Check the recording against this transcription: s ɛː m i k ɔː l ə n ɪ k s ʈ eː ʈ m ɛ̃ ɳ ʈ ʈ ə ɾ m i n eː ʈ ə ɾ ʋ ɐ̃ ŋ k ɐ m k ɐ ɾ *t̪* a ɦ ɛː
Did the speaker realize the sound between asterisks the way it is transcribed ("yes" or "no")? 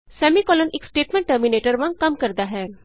no